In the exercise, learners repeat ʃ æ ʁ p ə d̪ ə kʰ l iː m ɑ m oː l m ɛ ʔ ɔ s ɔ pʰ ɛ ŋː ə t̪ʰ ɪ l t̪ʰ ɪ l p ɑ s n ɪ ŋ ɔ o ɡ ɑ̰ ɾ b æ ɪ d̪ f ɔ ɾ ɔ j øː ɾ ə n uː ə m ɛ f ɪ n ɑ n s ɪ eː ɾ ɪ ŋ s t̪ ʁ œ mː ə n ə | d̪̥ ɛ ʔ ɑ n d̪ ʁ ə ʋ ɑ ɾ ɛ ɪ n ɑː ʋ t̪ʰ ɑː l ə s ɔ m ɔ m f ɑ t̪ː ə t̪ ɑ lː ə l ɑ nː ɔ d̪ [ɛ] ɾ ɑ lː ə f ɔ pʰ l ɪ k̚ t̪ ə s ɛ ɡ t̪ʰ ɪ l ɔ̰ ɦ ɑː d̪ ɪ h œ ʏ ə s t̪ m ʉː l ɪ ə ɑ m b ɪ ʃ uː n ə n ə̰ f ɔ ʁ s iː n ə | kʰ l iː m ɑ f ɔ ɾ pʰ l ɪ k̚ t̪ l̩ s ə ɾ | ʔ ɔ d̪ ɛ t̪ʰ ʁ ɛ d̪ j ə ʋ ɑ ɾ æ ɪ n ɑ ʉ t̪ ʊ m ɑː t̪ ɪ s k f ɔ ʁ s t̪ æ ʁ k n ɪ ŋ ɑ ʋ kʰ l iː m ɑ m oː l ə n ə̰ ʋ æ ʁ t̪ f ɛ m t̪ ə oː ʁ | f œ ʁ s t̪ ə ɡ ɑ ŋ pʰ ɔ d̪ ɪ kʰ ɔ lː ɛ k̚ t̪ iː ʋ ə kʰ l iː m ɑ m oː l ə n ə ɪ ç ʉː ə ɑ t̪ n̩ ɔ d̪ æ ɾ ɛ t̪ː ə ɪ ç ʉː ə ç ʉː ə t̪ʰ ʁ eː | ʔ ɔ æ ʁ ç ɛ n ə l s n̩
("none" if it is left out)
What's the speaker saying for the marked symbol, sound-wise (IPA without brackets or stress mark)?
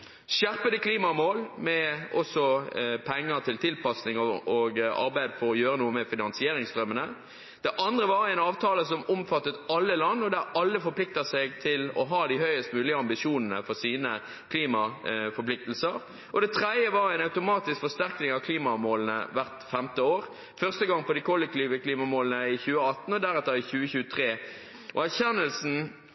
æ